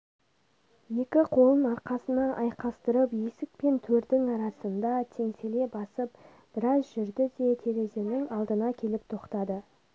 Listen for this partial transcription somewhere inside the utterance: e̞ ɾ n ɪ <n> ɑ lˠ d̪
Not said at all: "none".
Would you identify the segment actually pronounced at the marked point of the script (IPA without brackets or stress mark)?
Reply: ŋ